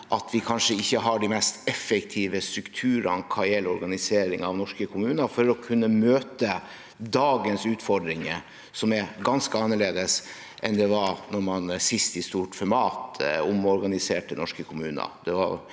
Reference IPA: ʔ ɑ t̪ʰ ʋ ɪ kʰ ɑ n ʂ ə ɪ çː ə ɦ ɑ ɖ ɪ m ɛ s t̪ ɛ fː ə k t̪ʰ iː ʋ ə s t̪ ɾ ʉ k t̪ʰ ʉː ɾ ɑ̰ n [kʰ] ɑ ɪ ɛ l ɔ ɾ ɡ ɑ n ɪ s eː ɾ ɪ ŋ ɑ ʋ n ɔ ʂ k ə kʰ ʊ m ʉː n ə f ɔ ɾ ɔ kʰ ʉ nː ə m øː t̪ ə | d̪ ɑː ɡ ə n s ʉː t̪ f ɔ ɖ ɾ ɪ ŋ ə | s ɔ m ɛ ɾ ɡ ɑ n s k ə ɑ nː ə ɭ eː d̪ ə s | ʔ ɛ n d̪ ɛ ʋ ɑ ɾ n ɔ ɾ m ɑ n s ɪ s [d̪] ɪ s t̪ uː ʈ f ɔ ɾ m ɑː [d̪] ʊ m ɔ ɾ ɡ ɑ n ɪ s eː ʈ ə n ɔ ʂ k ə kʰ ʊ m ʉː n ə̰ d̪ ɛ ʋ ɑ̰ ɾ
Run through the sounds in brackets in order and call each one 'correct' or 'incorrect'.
correct, incorrect, incorrect

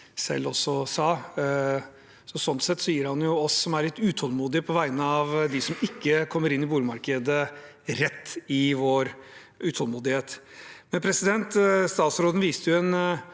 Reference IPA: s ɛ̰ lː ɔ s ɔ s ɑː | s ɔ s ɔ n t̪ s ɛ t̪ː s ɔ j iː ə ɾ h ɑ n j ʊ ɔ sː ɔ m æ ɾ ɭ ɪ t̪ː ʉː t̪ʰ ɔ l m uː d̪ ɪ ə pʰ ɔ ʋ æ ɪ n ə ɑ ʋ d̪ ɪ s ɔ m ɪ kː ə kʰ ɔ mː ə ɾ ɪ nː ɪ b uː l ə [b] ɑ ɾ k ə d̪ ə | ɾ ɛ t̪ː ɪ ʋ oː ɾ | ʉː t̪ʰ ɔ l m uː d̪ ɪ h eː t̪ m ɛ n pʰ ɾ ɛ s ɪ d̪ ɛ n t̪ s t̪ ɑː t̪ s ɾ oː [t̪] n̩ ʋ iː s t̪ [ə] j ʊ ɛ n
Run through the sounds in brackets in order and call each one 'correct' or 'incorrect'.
incorrect, incorrect, correct

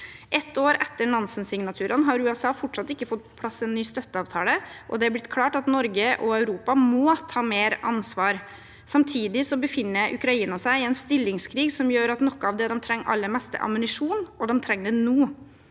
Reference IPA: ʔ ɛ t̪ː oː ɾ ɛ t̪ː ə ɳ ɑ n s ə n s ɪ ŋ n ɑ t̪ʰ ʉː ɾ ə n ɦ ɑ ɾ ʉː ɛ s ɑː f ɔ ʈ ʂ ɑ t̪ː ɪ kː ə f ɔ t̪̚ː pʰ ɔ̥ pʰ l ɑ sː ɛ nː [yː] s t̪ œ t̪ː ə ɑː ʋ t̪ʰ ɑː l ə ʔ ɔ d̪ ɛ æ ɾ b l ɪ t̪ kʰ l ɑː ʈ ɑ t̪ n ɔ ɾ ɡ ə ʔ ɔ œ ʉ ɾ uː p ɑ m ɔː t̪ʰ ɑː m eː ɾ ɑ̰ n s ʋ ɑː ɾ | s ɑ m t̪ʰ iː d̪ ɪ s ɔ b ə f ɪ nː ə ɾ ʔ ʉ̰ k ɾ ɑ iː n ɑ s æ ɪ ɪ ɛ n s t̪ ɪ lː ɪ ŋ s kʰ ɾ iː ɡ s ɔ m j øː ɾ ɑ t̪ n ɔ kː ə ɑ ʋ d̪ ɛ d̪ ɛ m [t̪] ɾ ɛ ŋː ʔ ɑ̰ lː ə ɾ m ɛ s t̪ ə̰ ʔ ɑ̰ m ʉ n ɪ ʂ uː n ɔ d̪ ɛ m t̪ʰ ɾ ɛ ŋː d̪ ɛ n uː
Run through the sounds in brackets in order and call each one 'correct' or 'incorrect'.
correct, incorrect

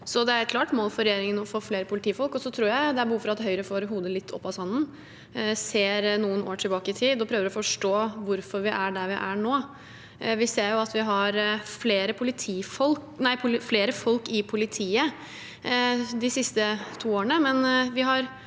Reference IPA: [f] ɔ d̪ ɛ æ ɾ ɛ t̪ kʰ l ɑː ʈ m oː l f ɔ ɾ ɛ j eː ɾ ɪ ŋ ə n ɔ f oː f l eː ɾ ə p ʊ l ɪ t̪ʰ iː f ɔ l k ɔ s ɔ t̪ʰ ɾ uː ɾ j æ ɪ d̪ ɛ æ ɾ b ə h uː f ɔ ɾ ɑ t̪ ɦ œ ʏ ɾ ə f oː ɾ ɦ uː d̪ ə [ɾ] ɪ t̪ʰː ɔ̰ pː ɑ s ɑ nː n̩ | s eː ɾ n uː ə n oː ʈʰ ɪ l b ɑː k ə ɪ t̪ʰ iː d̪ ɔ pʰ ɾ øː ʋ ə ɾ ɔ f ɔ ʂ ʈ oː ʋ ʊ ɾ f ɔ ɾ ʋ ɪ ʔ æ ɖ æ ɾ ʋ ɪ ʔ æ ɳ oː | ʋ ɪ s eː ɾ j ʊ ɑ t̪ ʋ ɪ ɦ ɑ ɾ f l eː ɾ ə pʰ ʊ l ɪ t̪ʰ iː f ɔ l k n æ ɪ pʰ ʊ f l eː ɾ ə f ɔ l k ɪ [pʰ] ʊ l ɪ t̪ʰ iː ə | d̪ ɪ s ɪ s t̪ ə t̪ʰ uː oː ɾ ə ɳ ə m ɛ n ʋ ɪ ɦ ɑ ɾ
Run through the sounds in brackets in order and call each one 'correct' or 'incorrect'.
incorrect, incorrect, correct

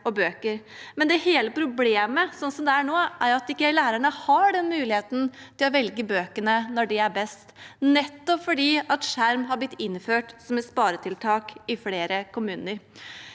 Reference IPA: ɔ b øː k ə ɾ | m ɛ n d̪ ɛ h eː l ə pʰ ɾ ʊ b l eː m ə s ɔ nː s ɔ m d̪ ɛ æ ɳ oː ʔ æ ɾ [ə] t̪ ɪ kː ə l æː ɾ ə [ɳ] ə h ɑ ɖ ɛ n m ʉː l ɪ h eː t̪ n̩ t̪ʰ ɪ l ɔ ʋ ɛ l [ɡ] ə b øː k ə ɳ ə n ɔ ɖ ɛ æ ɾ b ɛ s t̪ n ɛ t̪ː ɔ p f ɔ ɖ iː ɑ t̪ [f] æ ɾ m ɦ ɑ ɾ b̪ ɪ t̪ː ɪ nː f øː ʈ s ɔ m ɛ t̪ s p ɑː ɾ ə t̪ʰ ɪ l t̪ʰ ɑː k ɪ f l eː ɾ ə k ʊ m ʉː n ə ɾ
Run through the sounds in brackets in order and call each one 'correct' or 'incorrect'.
incorrect, correct, correct, incorrect

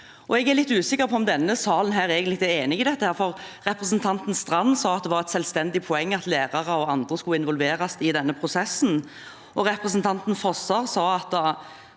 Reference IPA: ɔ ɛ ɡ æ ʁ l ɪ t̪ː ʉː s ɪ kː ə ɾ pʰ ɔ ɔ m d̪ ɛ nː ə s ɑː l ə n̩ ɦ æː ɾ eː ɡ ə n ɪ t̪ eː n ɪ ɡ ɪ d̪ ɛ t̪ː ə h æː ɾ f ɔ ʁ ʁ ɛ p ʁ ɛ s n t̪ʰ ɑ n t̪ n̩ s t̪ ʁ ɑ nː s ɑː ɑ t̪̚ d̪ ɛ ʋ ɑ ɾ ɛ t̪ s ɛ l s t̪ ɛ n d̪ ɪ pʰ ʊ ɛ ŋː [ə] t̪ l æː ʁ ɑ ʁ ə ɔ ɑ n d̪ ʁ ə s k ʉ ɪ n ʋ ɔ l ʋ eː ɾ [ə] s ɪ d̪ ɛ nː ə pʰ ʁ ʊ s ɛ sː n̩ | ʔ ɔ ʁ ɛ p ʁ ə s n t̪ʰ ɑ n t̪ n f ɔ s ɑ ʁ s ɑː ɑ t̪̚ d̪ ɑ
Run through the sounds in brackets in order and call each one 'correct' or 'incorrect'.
incorrect, incorrect

